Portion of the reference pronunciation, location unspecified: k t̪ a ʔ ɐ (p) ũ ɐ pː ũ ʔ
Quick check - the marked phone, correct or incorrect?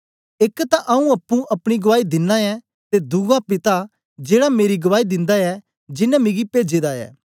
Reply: incorrect: none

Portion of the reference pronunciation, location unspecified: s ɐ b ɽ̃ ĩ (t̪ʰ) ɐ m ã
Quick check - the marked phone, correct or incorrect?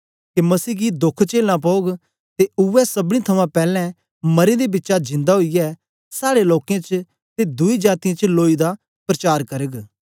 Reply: correct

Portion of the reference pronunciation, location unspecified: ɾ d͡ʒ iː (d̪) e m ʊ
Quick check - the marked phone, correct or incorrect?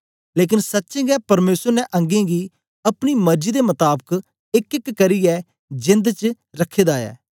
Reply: correct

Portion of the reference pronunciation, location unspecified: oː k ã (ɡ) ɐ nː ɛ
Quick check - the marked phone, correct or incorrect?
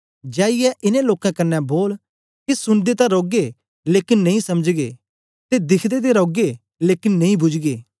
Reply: incorrect: k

